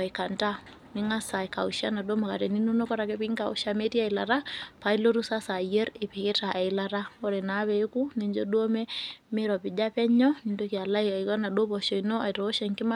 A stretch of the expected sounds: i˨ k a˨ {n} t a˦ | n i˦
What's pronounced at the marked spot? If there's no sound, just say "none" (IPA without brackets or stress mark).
n